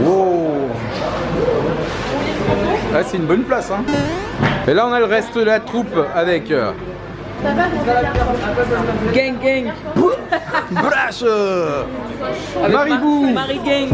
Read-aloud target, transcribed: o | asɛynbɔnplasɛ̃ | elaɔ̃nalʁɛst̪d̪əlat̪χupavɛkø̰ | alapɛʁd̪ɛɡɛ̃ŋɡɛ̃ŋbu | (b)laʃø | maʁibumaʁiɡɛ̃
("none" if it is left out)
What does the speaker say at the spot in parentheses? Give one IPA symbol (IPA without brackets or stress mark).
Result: b